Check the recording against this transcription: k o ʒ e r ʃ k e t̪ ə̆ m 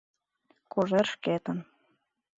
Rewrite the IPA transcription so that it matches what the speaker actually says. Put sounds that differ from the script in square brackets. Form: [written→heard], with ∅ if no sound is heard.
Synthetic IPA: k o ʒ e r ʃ k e t̪ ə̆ [m→n]